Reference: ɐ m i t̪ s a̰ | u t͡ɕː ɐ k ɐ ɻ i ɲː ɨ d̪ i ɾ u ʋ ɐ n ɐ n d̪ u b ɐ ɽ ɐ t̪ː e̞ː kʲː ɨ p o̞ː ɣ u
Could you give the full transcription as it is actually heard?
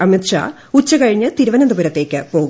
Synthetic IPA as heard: ɐ m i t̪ ʂ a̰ | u t͡ɕː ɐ k ɐ ɻ i ɲː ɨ t̪ i ɾ u ʋ ɐ n ɐ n d̪ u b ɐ ɾ ɐ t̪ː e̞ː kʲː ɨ p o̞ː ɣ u